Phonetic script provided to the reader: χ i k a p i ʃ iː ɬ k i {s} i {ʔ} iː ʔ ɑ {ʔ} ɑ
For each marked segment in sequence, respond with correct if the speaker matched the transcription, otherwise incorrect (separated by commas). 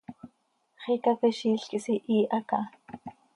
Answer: correct, correct, incorrect